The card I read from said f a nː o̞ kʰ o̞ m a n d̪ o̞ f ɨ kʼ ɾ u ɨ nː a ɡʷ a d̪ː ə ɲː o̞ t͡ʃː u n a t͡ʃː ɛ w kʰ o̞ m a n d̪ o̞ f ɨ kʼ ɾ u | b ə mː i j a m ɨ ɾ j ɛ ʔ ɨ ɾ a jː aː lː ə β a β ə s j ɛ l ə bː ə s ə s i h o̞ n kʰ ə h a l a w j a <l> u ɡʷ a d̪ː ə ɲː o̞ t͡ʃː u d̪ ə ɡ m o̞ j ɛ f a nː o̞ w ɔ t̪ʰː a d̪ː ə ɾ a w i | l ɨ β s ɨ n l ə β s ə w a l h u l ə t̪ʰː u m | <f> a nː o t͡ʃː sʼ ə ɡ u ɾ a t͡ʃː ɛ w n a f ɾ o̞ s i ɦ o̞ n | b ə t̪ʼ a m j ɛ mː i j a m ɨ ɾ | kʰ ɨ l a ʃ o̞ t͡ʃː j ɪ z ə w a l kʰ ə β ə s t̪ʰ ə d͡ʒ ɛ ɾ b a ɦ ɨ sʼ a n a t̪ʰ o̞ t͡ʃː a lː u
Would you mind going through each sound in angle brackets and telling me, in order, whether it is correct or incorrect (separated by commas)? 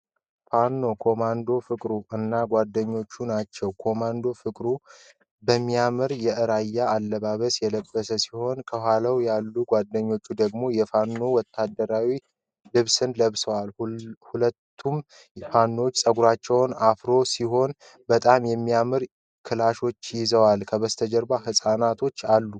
incorrect, correct